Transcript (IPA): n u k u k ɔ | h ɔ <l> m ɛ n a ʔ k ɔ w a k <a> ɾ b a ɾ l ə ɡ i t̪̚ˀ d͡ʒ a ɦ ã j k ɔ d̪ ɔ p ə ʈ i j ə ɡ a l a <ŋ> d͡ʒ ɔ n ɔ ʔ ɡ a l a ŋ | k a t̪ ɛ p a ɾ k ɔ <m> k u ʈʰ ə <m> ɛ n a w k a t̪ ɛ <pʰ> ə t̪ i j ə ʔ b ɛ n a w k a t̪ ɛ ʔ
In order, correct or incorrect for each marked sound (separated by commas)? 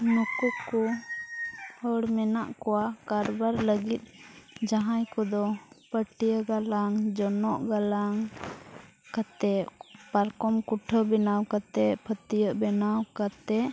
incorrect, correct, correct, correct, incorrect, correct